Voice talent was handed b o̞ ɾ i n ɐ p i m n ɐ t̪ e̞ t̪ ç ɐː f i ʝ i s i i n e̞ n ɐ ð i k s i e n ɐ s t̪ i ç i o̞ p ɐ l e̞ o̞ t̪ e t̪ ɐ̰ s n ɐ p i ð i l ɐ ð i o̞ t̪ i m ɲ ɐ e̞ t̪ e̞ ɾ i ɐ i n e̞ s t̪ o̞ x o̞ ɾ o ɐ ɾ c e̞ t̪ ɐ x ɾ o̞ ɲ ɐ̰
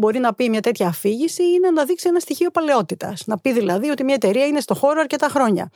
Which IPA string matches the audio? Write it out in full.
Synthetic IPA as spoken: b o̞ ɾ i n ɐ p i m ɲ ɐ t̪ e̞ t̪ ç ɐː f i ʝ i s i i n e̞ n ɐ ð i k s i e n ɐ s t̪ i ç i o̞ p ɐ l e̞ o̞ t̪ i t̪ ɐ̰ s n ɐ p i ð i l ɐ ð i o̞ t̪ i m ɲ ɐ e̞ t̪ e̞ ɾ i ɐ i n e̞ s t̪ o̞ x o̞ ɾ o ɐ ɾ c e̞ t̪ ɐ x ɾ o̞ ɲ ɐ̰